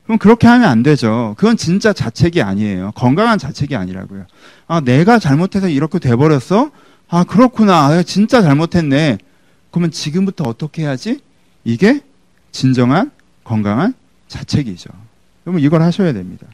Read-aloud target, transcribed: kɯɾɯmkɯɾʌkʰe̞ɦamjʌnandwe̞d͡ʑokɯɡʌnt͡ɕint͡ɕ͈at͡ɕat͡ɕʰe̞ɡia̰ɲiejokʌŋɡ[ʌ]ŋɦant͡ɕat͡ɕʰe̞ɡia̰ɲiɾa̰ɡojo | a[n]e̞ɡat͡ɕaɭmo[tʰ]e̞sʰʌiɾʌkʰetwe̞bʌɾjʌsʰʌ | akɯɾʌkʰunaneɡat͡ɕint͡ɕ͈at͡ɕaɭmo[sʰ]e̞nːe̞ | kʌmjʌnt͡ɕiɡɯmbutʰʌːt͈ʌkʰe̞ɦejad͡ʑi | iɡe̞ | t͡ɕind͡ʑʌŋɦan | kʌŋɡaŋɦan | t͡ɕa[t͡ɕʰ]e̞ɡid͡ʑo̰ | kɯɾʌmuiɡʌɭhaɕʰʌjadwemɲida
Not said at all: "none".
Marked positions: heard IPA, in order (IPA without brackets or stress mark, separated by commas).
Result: a, n, tʰ, tʰ, t͡ɕʰ